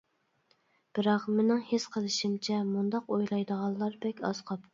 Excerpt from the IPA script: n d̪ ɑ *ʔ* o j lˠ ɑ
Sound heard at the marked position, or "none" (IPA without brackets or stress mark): q